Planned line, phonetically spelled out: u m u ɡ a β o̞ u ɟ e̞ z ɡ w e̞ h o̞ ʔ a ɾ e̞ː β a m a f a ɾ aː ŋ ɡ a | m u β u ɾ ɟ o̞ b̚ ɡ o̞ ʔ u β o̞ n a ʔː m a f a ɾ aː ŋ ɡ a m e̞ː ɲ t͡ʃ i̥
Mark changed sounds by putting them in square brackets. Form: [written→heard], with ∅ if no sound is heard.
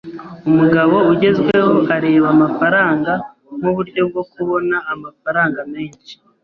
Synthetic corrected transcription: u m u ɡ a β o̞ u ɟ e̞ z ɡ w e̞ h o̞ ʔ a ɾ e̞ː β a m a f a ɾ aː ŋ ɡ a | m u β u ɾ ɟ o̞ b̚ ɡ o̞ [ʔ→k] u β o̞ n a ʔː m a f a ɾ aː ŋ ɡ a m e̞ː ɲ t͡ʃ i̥